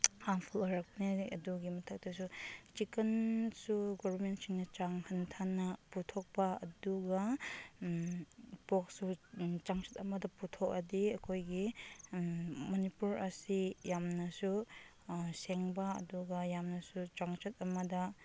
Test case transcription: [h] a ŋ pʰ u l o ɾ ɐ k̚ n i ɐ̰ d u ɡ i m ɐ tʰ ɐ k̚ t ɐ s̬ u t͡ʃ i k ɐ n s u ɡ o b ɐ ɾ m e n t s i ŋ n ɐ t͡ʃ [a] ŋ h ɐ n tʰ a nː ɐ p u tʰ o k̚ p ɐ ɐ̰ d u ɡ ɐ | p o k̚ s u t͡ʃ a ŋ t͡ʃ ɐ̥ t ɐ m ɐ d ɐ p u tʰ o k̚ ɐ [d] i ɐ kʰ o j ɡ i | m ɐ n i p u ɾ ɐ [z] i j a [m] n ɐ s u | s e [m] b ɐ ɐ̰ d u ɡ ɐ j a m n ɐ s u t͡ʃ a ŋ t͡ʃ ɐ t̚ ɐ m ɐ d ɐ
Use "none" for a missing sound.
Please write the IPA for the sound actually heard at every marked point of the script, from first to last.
h, a, d, s, m, ŋ

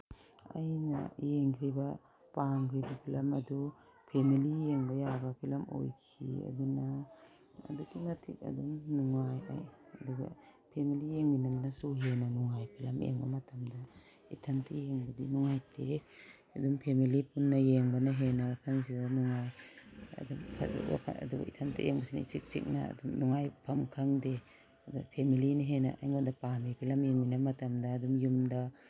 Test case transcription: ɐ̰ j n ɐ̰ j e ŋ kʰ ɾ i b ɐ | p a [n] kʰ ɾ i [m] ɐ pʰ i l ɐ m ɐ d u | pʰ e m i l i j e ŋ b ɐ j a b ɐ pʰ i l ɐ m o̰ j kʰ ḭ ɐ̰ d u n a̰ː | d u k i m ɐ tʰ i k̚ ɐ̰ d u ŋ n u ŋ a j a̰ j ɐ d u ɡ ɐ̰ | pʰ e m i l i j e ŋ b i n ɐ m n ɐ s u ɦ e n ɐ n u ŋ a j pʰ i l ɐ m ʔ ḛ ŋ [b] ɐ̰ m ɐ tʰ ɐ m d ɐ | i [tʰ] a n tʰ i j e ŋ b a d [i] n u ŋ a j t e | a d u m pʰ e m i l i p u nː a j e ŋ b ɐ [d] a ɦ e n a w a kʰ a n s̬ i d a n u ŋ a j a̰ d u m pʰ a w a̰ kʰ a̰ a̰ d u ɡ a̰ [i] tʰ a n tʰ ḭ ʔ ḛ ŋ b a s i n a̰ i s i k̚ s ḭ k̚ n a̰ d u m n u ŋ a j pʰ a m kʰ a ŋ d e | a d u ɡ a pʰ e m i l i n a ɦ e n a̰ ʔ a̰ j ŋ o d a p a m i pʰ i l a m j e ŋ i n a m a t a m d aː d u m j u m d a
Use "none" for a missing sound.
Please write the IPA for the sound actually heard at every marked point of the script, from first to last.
ŋ, b, b, tʰ, i, n, i

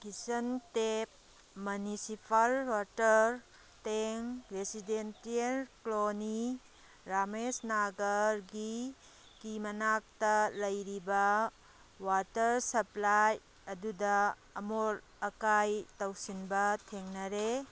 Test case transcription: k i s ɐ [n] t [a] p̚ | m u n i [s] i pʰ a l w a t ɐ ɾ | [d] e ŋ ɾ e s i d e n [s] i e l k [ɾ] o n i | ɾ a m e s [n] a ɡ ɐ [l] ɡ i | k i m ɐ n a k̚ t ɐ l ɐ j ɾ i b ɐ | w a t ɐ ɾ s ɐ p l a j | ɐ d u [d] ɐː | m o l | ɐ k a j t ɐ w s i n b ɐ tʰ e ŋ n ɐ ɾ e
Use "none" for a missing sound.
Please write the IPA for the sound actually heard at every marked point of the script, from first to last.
n, e, s, t, t, l, n, ɾ, d

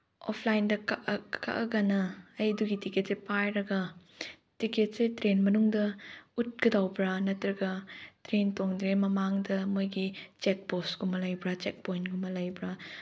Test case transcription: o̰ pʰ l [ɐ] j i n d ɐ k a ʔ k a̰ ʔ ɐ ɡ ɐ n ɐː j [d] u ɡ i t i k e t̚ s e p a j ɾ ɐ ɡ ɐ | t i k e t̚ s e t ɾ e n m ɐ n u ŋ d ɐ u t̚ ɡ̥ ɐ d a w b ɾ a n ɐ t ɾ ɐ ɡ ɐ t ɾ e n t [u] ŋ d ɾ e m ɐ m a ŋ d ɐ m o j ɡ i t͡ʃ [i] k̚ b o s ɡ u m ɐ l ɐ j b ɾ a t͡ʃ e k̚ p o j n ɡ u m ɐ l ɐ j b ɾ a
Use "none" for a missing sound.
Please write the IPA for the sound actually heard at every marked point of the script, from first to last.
a, d, o, e

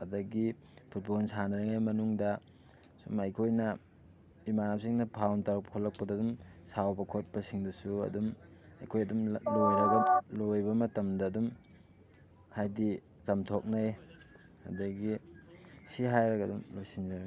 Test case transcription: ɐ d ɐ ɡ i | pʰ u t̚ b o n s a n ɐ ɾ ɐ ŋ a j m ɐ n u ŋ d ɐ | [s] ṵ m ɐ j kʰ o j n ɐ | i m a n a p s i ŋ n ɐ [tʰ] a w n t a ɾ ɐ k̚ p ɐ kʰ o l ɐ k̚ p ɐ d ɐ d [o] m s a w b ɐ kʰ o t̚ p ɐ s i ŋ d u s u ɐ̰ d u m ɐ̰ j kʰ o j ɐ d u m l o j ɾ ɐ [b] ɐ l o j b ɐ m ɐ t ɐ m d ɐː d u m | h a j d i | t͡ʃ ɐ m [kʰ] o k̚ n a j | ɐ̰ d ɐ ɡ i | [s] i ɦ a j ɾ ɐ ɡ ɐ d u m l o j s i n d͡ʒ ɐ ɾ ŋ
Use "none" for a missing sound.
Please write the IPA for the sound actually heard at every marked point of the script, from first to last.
s, pʰ, u, ɡ, tʰ, s

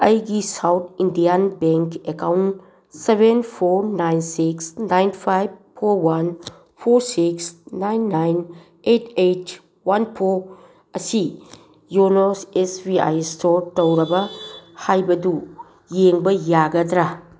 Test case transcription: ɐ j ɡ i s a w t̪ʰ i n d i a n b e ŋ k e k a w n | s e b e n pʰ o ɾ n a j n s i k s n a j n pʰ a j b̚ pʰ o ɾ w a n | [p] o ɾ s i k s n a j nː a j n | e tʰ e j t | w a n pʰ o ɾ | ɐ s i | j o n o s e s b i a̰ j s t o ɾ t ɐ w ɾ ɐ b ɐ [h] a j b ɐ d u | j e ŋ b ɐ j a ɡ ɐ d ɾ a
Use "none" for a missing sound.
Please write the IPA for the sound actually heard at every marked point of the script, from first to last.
pʰ, h

